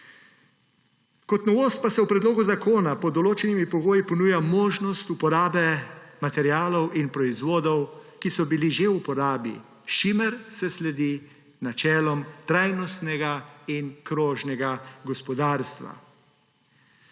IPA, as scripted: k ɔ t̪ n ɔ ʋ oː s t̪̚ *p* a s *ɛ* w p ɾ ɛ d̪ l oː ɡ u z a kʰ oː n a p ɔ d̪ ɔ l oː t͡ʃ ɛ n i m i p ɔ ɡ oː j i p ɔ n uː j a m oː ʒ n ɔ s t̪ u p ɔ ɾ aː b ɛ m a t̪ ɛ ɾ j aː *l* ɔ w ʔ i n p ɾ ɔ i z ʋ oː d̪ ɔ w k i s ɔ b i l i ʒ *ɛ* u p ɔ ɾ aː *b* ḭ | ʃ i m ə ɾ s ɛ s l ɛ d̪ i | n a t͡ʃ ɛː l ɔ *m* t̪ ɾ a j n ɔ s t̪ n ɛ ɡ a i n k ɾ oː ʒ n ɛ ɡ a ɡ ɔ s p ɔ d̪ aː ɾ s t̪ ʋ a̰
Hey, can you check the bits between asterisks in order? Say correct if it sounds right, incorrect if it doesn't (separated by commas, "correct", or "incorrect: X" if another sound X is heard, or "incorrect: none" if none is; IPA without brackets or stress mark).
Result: correct, correct, correct, incorrect: e, correct, correct